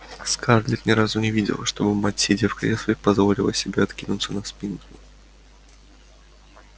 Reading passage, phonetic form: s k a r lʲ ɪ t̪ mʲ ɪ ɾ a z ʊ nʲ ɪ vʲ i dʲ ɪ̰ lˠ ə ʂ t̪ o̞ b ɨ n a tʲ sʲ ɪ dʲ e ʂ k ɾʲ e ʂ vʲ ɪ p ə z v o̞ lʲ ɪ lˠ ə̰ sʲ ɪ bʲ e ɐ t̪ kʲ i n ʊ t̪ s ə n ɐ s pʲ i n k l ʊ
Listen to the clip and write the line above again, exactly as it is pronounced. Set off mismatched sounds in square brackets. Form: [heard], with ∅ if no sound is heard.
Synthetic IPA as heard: s k a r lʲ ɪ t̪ [nʲ] ɪ ɾ a z ʊ nʲ ɪ vʲ i dʲ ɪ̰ lˠ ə ʂ t̪ o̞ b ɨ [m] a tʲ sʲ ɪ dʲ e [f] k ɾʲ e [s] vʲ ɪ p [ɐ] z v o̞ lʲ ɪ lˠ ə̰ sʲ ɪ bʲ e ɐ t̪ kʲ i n ʊ t̪ s ə n ɐ s pʲ i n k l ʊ